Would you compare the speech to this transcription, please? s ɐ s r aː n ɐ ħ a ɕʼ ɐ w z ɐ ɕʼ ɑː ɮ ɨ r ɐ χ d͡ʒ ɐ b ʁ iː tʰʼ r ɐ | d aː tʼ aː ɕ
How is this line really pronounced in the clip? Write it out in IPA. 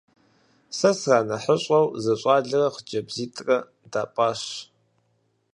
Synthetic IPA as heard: s ɐ s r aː n ɐ ħ ə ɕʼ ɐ w z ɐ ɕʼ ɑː ɮ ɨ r ɐ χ d͡ʒ ɐ b z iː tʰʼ r ɐ | d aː pʼ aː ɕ